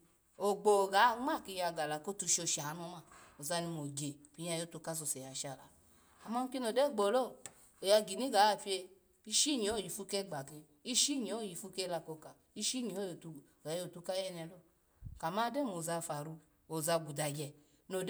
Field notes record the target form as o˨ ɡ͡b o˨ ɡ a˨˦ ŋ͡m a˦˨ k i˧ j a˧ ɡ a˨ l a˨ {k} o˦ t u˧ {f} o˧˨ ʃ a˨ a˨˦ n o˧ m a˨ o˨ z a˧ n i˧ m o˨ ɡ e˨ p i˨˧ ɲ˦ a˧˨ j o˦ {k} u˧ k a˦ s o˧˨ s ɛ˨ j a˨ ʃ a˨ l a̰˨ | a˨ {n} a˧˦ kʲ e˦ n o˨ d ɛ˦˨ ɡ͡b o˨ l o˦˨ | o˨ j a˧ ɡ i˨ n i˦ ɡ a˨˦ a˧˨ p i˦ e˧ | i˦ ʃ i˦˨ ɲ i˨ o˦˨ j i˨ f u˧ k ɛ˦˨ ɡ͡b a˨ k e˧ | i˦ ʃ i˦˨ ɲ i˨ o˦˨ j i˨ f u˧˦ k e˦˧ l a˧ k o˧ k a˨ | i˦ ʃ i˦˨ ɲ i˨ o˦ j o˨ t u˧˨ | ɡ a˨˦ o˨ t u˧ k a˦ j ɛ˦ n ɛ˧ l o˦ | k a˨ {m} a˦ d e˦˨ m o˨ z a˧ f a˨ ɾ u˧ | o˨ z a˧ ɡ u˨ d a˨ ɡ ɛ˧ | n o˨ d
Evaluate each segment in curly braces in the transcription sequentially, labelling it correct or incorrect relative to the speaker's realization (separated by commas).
correct, incorrect, incorrect, incorrect, correct